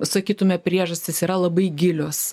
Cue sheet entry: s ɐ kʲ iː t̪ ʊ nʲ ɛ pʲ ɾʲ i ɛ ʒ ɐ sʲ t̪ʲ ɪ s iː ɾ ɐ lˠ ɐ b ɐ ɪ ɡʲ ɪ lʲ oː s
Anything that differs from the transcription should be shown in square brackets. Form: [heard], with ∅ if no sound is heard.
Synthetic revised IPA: s ɐ kʲ iː t̪ ʊ [mʲ] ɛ pʲ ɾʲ i ɛ ʒ ɐ sʲ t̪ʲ ɪ s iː ɾ ɐ lˠ ɐ b ɐ ɪ ɡʲ ɪ lʲ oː s